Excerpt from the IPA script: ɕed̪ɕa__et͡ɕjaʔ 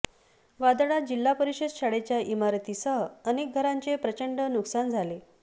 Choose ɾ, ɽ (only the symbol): ɽ